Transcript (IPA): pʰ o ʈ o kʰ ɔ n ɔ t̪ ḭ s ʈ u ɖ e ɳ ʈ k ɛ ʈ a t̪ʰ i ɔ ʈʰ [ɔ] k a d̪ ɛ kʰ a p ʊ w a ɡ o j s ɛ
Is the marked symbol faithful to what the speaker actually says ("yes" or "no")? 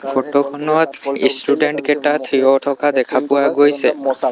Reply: yes